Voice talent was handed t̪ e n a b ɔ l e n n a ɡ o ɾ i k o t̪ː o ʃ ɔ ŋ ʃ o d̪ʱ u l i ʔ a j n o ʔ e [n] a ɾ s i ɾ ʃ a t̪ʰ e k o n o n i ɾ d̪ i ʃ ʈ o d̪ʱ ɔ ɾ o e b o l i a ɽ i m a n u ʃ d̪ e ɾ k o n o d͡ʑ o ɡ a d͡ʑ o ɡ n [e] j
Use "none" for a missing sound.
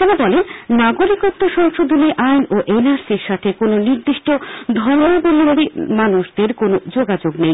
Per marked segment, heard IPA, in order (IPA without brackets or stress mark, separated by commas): n, e